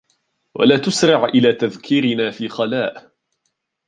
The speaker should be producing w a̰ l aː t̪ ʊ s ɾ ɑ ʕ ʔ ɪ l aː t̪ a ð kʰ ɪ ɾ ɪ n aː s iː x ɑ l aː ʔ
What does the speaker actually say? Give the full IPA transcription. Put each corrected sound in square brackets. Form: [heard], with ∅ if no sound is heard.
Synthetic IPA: w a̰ l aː t̪ ʊ s ɾ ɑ ʕ ʔ ɪ l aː t̪ a ð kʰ ɪ ɾ ɪ n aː [f] iː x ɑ l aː ʔ

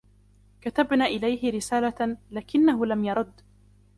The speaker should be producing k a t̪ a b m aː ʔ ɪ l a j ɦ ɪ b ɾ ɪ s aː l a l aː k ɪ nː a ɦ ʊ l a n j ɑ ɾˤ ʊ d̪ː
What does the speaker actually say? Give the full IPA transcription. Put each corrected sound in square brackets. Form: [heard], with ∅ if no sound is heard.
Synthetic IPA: k a t̪ a b [n] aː ʔ ɪ l a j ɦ ɪ [∅] ɾ ɪ s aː l a l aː k ɪ nː a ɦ ʊ l a [m] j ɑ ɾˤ ʊ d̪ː

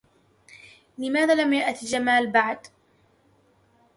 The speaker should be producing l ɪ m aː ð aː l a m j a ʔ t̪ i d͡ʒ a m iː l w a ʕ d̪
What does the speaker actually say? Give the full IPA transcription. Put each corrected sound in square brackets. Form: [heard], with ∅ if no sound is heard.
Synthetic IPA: l ɪ m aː ð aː l a m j a ʔ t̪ i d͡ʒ a m [aː] l [b] a ʕ d̪

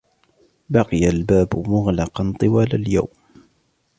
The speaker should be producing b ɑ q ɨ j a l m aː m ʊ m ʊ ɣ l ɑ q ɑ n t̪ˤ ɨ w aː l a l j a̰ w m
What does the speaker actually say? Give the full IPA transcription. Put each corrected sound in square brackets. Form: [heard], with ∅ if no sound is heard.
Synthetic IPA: b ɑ q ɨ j a l [b] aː [b] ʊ m ʊ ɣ l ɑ q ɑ n t̪ˤ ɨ w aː l a l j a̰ w m

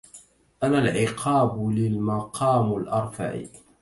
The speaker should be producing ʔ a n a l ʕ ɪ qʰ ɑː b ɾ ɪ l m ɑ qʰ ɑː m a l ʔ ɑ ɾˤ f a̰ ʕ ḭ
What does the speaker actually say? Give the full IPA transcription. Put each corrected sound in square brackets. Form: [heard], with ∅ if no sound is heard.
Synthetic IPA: ʔ a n a l ʕ ɪ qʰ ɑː b [l] ɪ l m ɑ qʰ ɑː m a l ʔ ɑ ɾˤ f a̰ ʕ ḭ

